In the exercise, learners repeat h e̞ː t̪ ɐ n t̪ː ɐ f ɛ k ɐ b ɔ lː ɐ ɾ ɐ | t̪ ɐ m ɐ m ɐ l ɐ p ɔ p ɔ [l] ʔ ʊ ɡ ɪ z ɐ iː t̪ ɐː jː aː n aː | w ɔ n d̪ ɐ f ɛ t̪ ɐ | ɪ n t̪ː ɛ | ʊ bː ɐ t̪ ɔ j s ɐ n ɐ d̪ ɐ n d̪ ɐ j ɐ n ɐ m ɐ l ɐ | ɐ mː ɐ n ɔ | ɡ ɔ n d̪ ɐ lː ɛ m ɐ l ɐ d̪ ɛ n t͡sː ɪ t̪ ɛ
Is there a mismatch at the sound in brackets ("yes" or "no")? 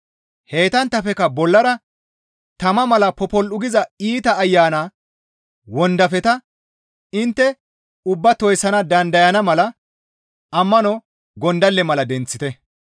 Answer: no